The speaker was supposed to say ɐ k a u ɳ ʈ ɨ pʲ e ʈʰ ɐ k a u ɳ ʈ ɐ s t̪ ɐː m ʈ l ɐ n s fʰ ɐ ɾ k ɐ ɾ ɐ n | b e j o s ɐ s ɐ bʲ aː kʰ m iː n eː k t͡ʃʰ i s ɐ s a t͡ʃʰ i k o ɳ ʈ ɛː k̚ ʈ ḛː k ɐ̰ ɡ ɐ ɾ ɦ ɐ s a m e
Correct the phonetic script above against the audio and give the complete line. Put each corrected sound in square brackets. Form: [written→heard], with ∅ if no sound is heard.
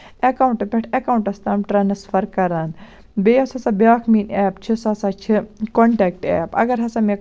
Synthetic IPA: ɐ k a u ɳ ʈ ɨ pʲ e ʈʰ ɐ k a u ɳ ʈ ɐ s t̪ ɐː m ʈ [l→ɾ] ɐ n s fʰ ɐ ɾ k ɐ ɾ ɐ n | b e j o s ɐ s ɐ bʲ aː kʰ m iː n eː [k→p] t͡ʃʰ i s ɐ s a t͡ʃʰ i k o ɳ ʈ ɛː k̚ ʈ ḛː [k→p] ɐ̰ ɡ ɐ ɾ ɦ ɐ s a m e

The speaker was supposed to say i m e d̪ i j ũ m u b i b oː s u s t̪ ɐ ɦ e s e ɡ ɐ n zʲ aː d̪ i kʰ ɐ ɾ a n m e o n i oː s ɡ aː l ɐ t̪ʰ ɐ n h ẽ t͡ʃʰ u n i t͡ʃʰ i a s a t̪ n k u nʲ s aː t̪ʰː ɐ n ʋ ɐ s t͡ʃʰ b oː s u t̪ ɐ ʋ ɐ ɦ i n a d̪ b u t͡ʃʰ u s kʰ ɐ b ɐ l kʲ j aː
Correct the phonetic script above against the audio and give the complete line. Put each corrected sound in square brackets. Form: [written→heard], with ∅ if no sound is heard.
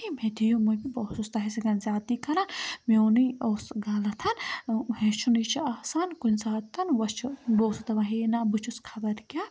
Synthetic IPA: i m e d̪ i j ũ m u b i b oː s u s t̪ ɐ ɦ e s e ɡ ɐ n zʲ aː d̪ i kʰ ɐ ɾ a n m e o n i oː s ɡ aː l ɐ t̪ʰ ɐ n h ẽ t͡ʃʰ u n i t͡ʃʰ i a s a [t̪→∅] n k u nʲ s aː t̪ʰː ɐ n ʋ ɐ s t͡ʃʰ b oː s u t̪ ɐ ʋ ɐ ɦ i n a [d̪→∅] b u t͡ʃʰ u s kʰ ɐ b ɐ [l→ɾ] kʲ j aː

